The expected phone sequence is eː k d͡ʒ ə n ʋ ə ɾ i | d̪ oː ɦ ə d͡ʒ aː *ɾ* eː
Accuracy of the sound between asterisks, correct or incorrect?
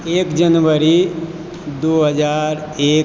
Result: correct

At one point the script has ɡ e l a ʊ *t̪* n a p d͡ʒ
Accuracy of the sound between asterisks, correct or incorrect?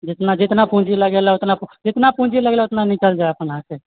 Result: correct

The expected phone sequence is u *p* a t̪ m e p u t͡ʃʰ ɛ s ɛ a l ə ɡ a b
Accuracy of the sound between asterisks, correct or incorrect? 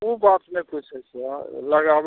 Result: incorrect: b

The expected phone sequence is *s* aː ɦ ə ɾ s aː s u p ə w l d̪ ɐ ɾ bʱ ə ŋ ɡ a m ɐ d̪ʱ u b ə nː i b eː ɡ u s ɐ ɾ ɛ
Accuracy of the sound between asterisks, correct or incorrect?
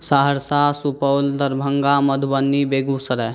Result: correct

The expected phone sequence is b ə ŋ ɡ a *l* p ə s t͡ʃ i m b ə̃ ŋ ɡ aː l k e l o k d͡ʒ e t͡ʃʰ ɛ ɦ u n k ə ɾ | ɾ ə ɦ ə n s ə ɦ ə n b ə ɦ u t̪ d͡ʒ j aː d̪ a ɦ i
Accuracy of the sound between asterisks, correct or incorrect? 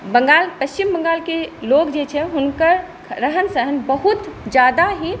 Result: correct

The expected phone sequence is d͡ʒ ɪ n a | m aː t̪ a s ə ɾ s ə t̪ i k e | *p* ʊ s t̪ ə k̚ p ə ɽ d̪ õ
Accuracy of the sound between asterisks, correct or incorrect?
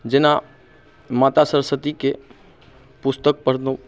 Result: correct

